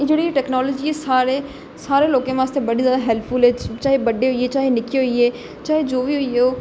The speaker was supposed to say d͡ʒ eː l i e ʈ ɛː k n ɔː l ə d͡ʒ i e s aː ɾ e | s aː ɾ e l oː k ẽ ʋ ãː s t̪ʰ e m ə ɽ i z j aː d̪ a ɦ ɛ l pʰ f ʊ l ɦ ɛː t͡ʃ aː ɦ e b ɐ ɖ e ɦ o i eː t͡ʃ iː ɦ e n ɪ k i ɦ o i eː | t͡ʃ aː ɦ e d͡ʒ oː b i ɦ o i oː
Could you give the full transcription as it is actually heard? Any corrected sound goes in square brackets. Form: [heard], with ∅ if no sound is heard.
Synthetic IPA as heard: d͡ʒ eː [ɽ] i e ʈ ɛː k n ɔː l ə d͡ʒ i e s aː ɾ e | s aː ɾ e l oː k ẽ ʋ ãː s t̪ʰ e [b] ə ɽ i z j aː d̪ a ɦ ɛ l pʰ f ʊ l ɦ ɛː t͡ʃ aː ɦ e b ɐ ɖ e ɦ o i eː t͡ʃ [aː] ɦ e n ɪ k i ɦ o i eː | t͡ʃ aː ɦ e d͡ʒ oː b i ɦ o i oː